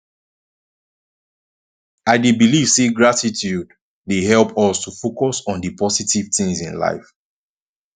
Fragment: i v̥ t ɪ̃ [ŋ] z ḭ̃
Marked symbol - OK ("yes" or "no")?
yes